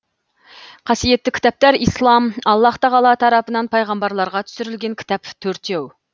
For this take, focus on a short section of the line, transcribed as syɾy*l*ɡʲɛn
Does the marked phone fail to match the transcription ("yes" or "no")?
no